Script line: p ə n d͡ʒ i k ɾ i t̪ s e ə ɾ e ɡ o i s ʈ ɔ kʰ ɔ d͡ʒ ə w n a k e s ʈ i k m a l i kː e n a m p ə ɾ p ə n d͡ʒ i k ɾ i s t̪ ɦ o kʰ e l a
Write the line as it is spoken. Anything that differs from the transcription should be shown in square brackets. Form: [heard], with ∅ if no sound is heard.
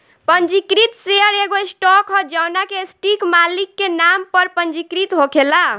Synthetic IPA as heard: p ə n d͡ʒ i k ɾ i t̪ s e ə ɾ e ɡ o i s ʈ ɔ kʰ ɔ d͡ʒ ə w n a k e s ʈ i k m a l i kː e n a m p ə ɾ p ə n d͡ʒ i k ɾ i [∅] t̪ ɦ o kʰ e l a